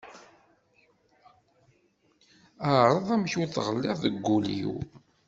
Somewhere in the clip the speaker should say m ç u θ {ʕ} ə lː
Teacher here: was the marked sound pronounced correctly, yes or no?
no